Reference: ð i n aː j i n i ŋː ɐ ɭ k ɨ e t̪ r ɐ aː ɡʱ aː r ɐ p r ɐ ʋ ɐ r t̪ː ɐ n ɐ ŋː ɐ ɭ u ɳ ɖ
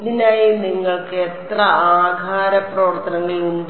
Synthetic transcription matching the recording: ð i n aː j i n i ŋː ɐ ɭ k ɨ e t̪ r ɐ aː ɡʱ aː ɾ ɐ p r ɐ ʋ ɐ r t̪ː ɐ n ɐ ŋː ɐ ɭ u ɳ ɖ